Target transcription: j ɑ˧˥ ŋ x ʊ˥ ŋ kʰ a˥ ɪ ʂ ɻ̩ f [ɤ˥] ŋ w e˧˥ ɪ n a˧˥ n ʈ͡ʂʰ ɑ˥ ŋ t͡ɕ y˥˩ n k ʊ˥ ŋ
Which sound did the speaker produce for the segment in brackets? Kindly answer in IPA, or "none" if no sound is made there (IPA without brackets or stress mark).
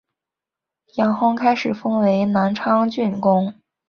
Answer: ɤ˥